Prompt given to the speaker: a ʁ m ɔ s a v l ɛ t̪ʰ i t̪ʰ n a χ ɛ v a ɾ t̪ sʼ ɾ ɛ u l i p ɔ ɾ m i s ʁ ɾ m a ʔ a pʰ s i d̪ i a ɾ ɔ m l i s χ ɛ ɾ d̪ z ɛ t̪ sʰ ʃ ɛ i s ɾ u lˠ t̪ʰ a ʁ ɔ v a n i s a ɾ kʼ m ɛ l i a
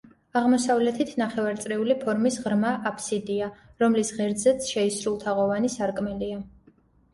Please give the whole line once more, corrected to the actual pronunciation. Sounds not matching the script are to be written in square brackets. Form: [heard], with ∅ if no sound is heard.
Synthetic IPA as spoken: a ʁ m ɔ s a v l ɛ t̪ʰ i t̪ʰ n a χ ɛ v a ɾ t̪ sʼ ɾ ɛ u l i [pʰ] ɔ ɾ m i s ʁ ɾ m a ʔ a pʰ s i d̪ i a ɾ ɔ m l i s [ʁ] ɛ ɾ d̪ z ɛ t̪ sʰ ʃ ɛ i s ɾ u lˠ t̪ʰ a ʁ ɔ v a n i s a ɾ kʼ m ɛ l i a